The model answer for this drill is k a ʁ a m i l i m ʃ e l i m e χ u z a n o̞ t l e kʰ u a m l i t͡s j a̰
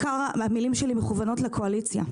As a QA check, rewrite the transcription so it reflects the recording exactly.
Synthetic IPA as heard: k a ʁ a m i l i m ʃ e l i m e χ u v a n o̞ t l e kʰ o a l i t͡s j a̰